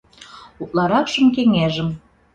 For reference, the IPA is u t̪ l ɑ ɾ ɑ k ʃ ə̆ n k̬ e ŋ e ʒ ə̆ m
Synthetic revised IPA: u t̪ l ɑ ɾ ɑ k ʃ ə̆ m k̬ e ŋ e ʒ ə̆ m